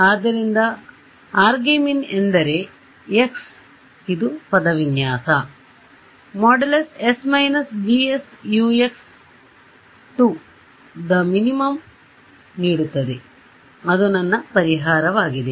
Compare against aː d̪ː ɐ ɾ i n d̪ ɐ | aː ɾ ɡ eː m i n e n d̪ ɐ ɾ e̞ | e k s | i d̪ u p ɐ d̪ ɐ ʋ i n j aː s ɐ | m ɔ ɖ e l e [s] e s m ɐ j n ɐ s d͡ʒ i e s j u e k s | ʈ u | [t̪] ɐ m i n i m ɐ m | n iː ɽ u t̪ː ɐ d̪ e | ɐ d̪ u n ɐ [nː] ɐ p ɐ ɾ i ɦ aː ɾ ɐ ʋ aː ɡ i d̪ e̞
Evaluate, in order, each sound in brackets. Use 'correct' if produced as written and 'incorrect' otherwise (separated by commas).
correct, incorrect, correct